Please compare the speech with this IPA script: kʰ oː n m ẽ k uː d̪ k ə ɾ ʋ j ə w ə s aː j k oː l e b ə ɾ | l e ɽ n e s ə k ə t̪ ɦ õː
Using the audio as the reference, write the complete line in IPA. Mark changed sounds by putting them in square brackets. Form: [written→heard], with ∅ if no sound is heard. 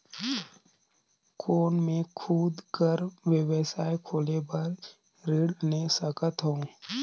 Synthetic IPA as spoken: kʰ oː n m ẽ [k→kʰ] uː d̪ k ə ɾ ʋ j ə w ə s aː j [k→kʰ] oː l e b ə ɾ | [l→ɾ] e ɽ n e s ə k ə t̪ ɦ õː